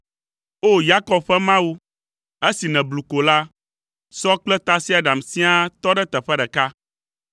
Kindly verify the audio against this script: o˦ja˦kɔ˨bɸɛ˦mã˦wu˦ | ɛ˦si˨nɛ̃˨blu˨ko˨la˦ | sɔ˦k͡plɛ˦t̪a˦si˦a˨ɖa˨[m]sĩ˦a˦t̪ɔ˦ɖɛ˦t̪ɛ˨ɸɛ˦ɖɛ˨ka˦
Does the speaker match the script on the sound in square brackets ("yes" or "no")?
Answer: yes